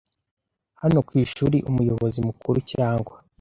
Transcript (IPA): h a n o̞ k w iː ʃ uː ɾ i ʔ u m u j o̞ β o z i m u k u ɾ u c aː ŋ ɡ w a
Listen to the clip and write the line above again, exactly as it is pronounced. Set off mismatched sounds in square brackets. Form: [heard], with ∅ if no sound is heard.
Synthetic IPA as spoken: h a n o̞ k w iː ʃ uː ɾ i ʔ u m u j o̞ β o z i m u k u ɾ u c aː ŋ ɡ w a